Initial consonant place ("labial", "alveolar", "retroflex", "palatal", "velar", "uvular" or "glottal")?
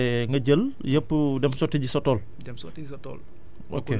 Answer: velar